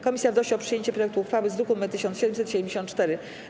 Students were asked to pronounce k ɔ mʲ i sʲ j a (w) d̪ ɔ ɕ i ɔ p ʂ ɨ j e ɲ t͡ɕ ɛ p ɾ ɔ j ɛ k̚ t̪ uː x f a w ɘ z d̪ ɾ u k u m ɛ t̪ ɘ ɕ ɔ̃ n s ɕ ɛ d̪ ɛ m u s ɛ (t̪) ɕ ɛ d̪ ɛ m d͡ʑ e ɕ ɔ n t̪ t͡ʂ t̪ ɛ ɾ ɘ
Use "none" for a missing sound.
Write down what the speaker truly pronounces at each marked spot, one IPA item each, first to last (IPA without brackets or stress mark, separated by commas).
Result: v, t̪